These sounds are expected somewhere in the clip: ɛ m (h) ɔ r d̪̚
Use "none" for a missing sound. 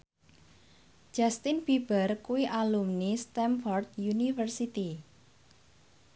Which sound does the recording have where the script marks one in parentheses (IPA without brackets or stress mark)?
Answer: f